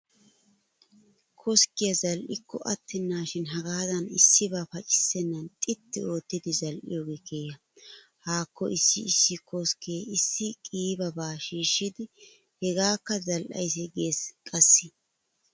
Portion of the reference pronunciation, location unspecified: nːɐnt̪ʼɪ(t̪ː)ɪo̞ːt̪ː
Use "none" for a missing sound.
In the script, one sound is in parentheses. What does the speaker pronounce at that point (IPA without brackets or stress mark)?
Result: t̪ː